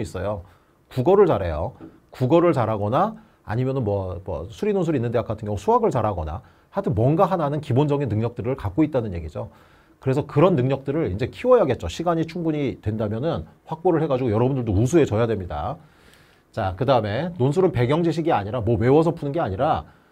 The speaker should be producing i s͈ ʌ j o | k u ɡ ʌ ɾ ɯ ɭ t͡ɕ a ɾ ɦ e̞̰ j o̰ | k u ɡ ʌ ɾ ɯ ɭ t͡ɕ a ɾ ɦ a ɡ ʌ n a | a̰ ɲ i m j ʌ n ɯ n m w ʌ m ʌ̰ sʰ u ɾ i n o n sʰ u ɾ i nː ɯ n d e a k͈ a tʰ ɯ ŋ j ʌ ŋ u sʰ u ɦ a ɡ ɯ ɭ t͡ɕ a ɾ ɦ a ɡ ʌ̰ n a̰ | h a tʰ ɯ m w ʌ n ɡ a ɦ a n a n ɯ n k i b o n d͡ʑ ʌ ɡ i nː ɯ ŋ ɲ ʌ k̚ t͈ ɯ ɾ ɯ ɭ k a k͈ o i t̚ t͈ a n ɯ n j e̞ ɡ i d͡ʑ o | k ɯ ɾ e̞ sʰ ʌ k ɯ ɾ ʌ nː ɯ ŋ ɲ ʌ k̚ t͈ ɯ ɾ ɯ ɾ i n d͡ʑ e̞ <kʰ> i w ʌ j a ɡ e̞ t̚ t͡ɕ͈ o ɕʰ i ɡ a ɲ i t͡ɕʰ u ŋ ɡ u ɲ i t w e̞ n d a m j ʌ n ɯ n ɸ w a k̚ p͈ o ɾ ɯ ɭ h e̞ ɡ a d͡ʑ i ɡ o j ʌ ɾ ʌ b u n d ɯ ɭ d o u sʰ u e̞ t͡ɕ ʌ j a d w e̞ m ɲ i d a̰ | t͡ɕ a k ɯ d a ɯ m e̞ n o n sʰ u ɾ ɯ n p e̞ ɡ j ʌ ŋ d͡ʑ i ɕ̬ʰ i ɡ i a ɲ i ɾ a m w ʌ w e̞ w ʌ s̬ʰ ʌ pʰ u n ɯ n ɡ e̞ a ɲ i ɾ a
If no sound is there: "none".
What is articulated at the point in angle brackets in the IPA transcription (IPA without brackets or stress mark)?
kʰ